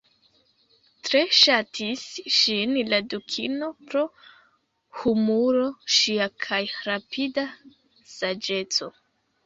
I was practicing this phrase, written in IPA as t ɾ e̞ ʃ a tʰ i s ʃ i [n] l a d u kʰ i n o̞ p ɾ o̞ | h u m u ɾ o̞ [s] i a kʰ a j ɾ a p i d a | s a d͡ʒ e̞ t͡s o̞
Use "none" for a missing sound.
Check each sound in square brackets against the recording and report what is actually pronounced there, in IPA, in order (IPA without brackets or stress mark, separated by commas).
n, ʃ